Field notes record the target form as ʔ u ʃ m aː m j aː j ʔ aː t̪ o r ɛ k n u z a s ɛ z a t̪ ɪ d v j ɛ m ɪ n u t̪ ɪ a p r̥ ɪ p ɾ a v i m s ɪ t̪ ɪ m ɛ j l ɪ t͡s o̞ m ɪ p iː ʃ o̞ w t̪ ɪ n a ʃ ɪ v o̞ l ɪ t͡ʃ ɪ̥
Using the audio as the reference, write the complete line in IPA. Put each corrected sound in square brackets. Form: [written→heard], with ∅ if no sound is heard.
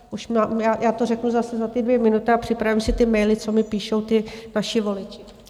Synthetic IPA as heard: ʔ u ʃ m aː m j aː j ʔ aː t̪ o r ɛ k n u z a s ɛ z a t̪ ɪ d v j ɛ m ɪ n u t̪ ɪ a p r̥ ɪ p ɾ a v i m s ɪ t̪ ɪ m ɛ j l ɪ t͡s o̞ m ɪ p iː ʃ o̞ w t̪ ɪ n a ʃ ɪ v o̞ l ɪ t͡ʃ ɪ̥